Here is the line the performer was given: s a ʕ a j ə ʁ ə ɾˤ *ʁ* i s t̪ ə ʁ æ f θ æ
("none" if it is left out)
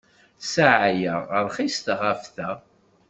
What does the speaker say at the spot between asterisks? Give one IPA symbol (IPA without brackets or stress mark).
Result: χ